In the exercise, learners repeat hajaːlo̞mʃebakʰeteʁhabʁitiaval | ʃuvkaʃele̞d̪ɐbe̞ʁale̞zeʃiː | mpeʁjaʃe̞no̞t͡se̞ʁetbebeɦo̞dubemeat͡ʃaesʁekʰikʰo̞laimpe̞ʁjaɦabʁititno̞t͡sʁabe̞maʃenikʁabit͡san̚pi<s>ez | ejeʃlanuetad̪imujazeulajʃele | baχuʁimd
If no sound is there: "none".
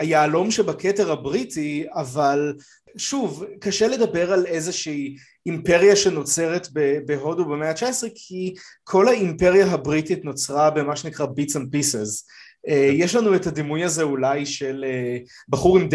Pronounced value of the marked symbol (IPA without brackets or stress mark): s